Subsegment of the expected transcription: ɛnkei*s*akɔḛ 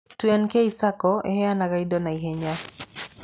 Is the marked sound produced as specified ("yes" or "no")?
yes